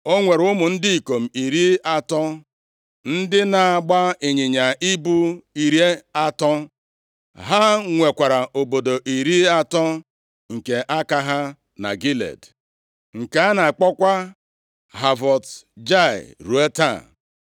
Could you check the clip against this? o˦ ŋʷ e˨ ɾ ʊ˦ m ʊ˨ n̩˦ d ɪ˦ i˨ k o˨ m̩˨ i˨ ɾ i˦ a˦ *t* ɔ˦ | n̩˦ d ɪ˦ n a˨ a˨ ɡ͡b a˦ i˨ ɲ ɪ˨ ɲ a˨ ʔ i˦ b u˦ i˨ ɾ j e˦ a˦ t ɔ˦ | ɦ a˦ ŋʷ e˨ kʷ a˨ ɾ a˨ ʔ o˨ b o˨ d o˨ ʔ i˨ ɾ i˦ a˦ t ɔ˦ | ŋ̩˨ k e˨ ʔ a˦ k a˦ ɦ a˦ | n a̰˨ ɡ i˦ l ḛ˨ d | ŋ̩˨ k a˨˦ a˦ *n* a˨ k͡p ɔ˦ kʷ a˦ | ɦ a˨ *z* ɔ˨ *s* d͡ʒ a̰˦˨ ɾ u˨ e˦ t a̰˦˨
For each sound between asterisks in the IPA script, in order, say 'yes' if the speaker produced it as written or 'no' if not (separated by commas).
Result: yes, yes, no, no